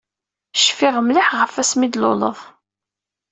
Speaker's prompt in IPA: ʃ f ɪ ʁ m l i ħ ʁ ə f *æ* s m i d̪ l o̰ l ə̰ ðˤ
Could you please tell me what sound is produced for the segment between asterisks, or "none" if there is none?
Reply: æ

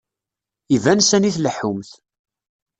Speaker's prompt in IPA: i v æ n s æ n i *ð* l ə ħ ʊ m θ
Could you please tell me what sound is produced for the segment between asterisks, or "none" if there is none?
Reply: θ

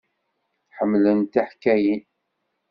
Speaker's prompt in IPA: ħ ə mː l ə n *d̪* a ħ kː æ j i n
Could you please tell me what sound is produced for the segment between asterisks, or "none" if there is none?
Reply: t̪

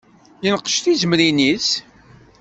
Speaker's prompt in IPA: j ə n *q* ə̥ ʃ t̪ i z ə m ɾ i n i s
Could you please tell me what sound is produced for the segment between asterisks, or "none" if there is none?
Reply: q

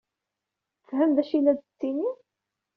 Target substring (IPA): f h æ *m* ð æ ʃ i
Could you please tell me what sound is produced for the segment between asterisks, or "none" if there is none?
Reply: m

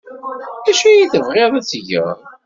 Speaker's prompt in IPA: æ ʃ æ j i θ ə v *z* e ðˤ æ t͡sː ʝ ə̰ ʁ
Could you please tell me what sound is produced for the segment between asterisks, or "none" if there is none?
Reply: ʁ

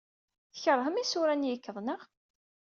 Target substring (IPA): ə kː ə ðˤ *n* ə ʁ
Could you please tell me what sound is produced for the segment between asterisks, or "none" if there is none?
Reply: n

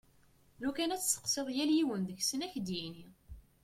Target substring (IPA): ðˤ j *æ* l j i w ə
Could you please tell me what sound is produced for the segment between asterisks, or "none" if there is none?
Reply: æ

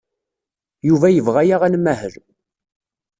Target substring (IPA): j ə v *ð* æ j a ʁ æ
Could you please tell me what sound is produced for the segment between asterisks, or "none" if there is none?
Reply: ʁ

